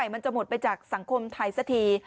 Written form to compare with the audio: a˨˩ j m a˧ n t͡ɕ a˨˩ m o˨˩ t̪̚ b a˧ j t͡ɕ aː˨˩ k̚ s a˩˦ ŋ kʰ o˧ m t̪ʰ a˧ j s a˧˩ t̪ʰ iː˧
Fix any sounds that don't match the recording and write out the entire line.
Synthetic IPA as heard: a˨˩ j m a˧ n t͡ɕ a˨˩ m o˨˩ t̪̚ p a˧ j t͡ɕ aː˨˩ k̚ s a˩˦ ŋ kʰ o˧ m t̪ʰ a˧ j s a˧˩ t̪ʰ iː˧